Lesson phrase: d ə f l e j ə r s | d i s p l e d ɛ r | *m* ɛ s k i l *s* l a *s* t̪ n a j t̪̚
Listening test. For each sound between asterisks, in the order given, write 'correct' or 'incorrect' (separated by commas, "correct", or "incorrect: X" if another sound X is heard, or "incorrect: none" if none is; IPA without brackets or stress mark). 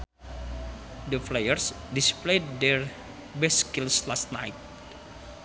incorrect: b, correct, correct